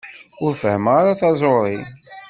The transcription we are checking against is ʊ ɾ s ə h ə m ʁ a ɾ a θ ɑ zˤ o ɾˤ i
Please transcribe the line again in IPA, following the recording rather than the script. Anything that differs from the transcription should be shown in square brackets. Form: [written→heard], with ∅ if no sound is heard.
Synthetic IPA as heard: ʊ ɾ [s→f] ə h ə m ʁ a ɾ a θ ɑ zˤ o ɾˤ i